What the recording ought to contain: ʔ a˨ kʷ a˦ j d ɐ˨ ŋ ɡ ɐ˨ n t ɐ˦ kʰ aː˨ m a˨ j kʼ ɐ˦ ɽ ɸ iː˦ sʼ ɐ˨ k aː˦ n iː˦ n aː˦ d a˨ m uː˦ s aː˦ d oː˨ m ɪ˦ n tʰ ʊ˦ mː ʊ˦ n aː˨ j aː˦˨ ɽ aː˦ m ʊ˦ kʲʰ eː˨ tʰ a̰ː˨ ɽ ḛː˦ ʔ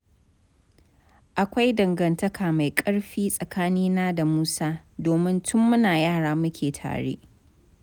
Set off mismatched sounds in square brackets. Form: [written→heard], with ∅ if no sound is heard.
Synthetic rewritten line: ʔ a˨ kʷ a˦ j d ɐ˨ ŋ ɡ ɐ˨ n t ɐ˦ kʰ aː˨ m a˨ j kʼ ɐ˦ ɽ ɸ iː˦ sʼ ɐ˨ k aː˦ n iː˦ n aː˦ d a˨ m uː˦ s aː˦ d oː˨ m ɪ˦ n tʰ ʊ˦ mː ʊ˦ n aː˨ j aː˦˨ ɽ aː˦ m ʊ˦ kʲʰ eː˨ tʰ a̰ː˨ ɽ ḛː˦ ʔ